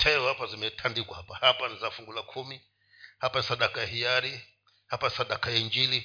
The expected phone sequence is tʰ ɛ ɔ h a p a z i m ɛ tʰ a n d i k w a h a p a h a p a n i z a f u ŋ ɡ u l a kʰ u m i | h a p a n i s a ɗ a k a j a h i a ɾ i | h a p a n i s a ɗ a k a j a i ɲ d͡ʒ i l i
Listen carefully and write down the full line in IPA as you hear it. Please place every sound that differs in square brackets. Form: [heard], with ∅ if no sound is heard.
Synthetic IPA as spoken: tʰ ɛ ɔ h a p a z i m ɛ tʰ a n d i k w a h a p a h a p a n i z a f u ŋ ɡ u l a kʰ u m i | h a p a n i s a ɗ a k a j a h i a ɾ i | h a p a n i s a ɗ a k a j a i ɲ d͡ʒ i l i